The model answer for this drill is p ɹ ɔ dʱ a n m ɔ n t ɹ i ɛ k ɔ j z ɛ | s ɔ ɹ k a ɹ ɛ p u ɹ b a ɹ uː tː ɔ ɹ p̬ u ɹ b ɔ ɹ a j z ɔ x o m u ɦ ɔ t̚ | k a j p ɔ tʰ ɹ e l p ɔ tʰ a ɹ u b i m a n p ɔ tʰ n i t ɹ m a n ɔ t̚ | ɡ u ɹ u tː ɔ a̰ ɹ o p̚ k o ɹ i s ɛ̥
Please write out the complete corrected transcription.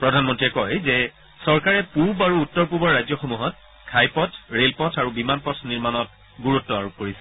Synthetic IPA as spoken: p ɹ ɔ dʱ a n m ɔ n t ɹ i ɛ k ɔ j z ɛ | s ɔ ɹ k a ɹ ɛ p u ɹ b a ɹ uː tː ɔ ɹ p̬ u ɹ b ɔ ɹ a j z ɔ x o m u ɦ ɔ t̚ | kʰ a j p ɔ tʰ ɹ e l p ɔ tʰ a ɹ u b i m a n p ɔ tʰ n i ɹ m a n ɔ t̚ | ɡ u ɹ u tː ɔ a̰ ɹ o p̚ k o ɹ i s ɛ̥

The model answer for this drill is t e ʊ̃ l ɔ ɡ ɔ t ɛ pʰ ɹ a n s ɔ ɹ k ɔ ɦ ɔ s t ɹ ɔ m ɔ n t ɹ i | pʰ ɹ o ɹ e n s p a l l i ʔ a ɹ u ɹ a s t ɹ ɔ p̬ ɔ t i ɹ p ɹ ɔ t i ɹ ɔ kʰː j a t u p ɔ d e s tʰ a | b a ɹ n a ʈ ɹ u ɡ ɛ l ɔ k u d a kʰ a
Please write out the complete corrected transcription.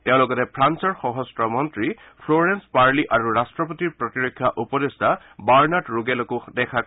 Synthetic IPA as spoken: t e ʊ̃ l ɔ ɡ ɔ t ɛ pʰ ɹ a n s ɔ ɹ x ɔ ɦ ɔ s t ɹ ɔ m ɔ n t ɹ i | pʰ l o ɹ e n s p a ɹ l i ʔ a ɹ u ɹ a s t ɹ ɔ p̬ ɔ t i ɹ p ɹ ɔ t i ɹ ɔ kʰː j a ʔ u p ɔ d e s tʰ a | b a ɹ n a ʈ ɹ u ɡ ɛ l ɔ k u d ɛ kʰ a

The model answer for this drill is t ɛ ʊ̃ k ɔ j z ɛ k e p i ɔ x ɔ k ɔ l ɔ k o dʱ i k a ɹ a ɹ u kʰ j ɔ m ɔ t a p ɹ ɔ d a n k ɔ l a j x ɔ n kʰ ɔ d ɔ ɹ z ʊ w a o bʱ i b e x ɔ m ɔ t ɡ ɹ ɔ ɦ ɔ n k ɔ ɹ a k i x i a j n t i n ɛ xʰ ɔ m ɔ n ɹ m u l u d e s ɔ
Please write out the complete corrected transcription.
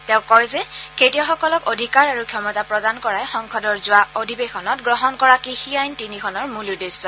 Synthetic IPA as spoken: t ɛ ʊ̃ k ɔ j z ɛ k e t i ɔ x ɔ k ɔ l ɔ k o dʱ i k a ɹ a ɹ u kʰ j ɔ m ɔ t a p ɹ ɔ d a n k ɔ ɹ a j x ɔ ŋ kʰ ɔ d ɔ ɹ z ʊ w a o dʱ i b e x ɔ n ɔ t ɡ ɹ ɔ ɦ ɔ n k ɔ ɹ a k i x i a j n t i n i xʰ ɔ n ɔ ɹ m u l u d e s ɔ

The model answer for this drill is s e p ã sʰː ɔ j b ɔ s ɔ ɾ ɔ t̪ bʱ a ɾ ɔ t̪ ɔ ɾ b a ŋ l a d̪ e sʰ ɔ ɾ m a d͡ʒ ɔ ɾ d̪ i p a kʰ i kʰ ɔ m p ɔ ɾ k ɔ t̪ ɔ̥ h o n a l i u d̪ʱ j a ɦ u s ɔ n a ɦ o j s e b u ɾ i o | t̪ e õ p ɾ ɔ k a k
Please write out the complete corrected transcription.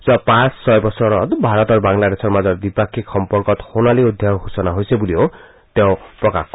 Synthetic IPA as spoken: s a p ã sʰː ɔ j b ɔ s ɔ ɾ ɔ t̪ bʱ a ɾ ɔ t̪ ɔ ɾ b a ŋ l a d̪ e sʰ ɔ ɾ m a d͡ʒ ɔ ɾ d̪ i p a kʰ i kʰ ɔ m p ɔ ɾ k ɔ t̪ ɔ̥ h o n a l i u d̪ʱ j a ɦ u s ɔ n a ɦ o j s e b u l i o | t̪ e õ p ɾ ɔ k a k

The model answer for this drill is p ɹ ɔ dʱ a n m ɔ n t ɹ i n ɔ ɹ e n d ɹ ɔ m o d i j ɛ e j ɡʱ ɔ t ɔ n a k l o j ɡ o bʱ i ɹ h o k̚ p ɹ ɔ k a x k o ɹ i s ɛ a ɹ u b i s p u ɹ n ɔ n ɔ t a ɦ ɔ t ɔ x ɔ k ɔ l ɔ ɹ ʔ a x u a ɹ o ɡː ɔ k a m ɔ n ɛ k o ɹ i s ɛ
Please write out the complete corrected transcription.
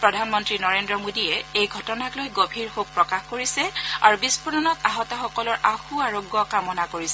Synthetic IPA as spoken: p ɹ ɔ dʱ a n m ɔ n t ɹ i n ɔ ɹ e n d ɹ ɔ m o d i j ɛ e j ɡʱ ɔ t ɔ n a k l o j ɡ o bʱ i ɹ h o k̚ p ɹ ɔ k a x k o ɹ i s ɛ a ɹ u b i s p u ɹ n ɔ n ɔ t a ɦ ɔ t ɔ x ɔ k ɔ l ɔ ɹ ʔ a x u a ɹ o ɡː ɔ k a m ɔ n a k o ɹ i s ɛ

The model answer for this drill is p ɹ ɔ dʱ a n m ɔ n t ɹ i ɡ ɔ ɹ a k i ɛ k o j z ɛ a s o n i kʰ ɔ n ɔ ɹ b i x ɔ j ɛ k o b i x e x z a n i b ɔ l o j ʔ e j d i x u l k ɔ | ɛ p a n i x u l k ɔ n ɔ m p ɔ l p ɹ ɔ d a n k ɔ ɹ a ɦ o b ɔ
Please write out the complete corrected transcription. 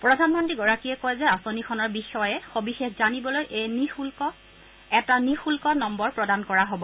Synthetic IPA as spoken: p ɹ ɔ dʱ a n m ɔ n t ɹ i ɡ ɔ ɹ a k i ɛ k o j z ɛ a s o n i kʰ ɔ n ɔ ɹ b i x ɔ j ɛ x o b i x e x z a n i b ɔ l o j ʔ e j n i x u l k ɔ | ɛ t a n i x u l k ɔ n ɔ m b ɔ ɹ p ɹ ɔ d a n k ɔ ɹ a ɦ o b ɔ

